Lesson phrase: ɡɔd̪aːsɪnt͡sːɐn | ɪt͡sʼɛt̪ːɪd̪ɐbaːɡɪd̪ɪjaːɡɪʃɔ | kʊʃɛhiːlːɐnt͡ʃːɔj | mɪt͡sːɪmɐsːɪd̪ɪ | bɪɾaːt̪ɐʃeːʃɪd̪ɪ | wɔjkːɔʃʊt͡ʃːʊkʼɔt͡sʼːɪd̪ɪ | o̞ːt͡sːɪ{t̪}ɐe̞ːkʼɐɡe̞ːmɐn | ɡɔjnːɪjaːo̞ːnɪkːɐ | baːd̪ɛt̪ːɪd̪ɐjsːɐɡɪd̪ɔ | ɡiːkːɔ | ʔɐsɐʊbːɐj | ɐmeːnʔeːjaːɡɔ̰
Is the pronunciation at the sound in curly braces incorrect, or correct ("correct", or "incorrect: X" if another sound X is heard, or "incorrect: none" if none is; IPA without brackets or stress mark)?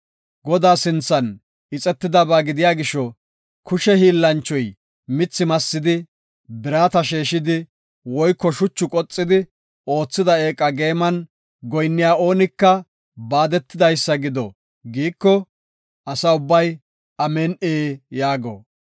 incorrect: d̪